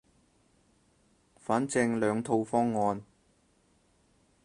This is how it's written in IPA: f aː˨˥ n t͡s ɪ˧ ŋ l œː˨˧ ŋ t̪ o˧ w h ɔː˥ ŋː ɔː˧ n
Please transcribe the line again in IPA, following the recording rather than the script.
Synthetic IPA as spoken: f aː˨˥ n t͡s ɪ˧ ŋ l œː˨˧ ŋ t̪ʰ o˧ w f ɔː˥ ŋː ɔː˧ n